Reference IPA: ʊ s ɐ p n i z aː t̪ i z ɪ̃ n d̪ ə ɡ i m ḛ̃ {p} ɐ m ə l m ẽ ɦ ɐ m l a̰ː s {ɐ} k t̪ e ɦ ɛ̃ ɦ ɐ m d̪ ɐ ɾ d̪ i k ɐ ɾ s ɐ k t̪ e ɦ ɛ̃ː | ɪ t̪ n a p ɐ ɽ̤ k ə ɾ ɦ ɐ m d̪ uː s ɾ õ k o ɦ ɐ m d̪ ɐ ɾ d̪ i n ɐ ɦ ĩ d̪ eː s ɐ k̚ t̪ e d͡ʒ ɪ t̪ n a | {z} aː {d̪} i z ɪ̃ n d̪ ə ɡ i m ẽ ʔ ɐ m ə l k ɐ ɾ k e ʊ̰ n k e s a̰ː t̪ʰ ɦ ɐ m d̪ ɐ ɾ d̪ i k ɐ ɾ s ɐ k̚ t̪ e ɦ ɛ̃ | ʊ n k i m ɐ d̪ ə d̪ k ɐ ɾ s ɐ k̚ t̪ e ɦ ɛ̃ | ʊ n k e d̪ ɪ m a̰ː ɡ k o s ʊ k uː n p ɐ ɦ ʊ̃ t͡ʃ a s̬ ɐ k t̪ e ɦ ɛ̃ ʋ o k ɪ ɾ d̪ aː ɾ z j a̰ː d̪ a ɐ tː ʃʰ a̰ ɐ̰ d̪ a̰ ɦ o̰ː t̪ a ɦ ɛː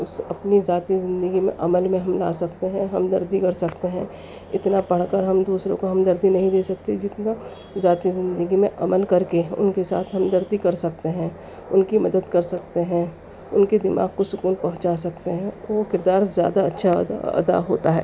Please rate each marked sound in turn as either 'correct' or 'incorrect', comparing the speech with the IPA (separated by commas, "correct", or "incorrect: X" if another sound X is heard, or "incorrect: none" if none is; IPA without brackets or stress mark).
incorrect: ʔ, correct, correct, incorrect: t̪